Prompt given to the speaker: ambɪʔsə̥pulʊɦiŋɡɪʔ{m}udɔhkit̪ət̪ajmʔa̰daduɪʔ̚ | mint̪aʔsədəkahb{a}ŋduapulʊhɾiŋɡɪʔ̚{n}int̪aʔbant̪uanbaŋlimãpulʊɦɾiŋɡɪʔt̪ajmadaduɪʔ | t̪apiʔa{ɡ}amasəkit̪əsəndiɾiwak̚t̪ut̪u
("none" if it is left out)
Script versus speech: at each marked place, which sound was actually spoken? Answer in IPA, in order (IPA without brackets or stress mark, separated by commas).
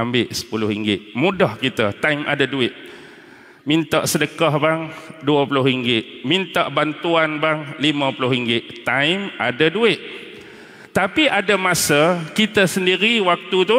m, a, m, d